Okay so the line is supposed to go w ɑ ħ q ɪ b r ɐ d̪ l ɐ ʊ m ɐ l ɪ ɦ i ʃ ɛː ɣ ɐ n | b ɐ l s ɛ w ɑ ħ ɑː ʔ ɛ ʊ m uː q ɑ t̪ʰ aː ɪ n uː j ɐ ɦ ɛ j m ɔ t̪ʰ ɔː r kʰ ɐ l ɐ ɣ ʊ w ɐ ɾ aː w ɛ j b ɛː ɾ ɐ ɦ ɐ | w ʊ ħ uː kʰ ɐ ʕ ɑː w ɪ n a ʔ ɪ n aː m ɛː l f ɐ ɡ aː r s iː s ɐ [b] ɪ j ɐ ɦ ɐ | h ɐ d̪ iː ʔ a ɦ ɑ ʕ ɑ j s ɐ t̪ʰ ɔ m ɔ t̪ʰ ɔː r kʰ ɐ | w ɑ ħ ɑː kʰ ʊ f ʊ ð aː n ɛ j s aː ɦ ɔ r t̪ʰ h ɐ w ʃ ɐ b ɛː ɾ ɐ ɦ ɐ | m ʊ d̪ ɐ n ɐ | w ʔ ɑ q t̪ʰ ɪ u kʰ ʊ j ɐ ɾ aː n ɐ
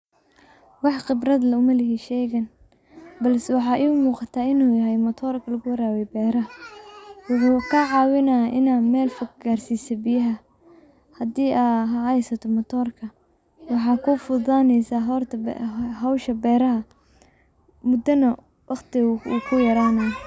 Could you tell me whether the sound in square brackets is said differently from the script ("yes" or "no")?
no